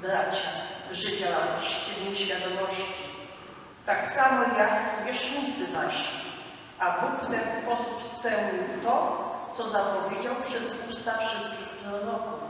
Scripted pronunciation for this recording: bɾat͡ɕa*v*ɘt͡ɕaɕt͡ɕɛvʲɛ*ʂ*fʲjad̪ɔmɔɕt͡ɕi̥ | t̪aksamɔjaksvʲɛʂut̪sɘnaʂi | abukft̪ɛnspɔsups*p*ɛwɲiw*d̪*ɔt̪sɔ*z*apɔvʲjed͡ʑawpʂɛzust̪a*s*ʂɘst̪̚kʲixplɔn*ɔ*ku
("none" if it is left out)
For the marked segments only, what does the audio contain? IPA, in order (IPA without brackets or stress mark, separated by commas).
ʐ, ɕ, p, t̪, z, f, ɔ